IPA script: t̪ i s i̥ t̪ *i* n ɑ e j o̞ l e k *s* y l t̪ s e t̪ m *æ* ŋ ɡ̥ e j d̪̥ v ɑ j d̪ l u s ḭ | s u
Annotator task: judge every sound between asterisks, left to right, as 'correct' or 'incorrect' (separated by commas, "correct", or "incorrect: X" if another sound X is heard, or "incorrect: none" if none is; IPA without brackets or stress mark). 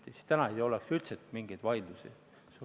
incorrect: æ, correct, incorrect: i